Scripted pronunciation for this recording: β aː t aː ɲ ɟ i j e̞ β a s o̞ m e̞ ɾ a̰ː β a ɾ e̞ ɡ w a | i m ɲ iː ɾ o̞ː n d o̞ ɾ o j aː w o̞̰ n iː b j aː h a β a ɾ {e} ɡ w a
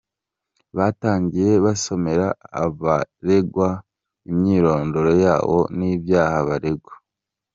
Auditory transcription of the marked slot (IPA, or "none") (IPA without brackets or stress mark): e